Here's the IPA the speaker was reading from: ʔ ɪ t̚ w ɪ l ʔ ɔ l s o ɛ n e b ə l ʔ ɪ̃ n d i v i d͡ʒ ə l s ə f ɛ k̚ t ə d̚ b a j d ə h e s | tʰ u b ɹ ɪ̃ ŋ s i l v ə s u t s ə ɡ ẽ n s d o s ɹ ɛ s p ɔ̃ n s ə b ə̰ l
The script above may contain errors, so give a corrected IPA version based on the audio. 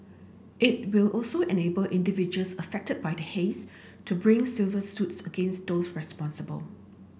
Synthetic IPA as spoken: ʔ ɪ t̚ w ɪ l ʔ ɔ l s o ɛ n e b ə l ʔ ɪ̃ n d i v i d͡ʒ ə l s ə f ɛ k̚ t ə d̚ b a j d ə h e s | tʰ u b ɹ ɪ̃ ŋ s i l v ə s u t s ə ɡ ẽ n s d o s ɹ ɛ s p ɔ̃ n s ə b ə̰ l